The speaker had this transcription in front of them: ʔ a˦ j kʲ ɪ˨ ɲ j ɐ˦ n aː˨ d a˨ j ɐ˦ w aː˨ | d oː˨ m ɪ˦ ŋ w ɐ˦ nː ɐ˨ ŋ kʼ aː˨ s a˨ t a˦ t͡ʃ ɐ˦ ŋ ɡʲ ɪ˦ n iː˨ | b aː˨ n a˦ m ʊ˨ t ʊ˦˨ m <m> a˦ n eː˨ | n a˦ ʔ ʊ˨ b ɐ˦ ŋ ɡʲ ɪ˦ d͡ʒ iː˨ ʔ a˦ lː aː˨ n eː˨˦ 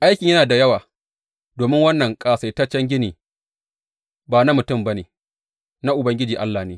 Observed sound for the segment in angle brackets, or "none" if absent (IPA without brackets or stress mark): b